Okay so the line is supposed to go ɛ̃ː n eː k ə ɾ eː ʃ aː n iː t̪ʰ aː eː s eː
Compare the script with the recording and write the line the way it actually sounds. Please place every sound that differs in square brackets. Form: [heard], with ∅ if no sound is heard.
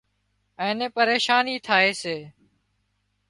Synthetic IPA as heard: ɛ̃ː n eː [p] ə ɾ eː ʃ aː n iː t̪ʰ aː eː s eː